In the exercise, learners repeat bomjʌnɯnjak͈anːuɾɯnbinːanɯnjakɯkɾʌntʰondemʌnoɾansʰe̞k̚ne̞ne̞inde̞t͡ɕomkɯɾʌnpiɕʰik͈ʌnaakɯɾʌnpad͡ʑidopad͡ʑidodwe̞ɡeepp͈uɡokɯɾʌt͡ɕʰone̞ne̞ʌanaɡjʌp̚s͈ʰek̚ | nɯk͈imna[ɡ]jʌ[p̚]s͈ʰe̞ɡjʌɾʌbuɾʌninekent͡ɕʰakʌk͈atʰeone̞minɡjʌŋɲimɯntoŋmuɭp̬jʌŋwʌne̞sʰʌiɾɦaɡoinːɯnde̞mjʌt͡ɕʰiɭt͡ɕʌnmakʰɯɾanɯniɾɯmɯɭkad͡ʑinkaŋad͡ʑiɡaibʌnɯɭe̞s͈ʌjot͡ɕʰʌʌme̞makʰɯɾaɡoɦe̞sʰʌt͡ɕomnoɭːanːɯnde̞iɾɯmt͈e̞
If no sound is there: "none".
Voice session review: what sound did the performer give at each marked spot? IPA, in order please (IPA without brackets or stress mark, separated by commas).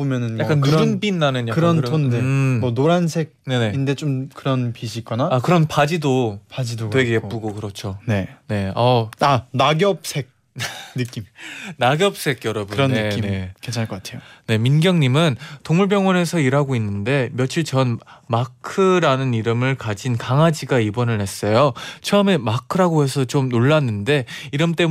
ɡ, p̚